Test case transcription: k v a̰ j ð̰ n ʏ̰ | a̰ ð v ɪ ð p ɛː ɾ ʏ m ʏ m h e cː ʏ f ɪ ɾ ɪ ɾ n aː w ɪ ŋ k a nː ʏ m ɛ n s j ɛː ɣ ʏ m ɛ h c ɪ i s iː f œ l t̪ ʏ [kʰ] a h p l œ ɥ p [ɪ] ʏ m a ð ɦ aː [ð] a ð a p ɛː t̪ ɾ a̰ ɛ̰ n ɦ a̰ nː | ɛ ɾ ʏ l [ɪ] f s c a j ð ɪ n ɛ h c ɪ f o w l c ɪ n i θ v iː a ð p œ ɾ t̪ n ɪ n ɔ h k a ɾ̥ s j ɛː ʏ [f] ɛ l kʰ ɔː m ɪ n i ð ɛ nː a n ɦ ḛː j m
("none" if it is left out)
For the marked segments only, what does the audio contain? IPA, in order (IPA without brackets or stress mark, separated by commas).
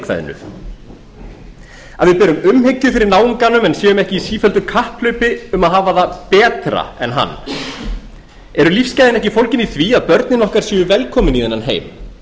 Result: kʰ, ɪ, v, i, v